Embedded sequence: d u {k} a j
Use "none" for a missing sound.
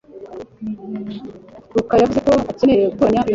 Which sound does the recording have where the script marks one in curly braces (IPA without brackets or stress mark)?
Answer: k